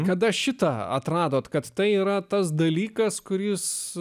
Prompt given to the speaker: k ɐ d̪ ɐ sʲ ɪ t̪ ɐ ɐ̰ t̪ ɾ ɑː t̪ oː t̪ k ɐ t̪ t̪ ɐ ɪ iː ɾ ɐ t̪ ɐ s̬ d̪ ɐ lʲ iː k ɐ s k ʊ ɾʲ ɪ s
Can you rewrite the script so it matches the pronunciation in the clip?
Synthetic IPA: k ɐ d̪ ɐ ʃʲ ɪ t̪ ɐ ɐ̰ t̪ ɾ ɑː d̪ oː t̪ k ɐ t̪ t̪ ɐ ɪ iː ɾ ɐ t̪ ɐ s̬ d̪ ɐ lʲ iː k ɐ s k ʊ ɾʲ ɪ s